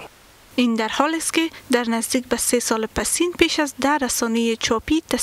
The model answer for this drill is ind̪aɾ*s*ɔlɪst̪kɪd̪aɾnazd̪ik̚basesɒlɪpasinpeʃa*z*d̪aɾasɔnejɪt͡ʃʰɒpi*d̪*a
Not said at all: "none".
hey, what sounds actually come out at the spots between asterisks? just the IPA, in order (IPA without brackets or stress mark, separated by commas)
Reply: h, z, t̪